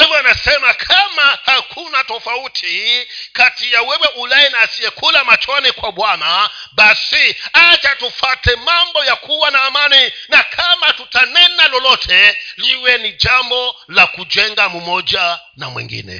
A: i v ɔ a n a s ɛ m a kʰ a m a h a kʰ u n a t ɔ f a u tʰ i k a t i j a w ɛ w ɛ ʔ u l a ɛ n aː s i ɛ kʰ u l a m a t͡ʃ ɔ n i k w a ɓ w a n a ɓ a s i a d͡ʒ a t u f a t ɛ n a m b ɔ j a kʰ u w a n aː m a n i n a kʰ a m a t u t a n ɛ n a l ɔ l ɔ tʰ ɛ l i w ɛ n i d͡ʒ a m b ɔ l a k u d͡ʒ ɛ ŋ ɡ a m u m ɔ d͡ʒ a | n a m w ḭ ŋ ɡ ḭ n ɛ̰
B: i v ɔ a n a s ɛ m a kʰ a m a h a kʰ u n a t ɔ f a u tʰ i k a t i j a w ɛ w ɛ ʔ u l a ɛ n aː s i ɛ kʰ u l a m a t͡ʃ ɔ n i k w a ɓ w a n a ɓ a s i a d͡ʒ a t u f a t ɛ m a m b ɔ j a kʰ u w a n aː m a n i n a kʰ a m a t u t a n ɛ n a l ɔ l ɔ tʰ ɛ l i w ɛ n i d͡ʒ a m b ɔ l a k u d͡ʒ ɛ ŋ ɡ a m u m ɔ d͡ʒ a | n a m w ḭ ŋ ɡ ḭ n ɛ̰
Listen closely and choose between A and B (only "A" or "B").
B